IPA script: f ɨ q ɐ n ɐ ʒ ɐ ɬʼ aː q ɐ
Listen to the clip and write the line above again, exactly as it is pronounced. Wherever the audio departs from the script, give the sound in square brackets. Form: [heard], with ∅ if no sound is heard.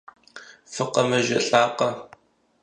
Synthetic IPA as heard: f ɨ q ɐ [m] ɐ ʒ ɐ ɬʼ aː q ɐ